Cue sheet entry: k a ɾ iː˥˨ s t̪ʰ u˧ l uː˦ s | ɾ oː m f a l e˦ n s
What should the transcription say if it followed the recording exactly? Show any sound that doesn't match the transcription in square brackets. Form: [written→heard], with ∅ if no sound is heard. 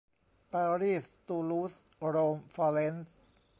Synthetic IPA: [k→p] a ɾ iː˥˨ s [t̪ʰ→t̪] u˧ l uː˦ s | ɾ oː m f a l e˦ n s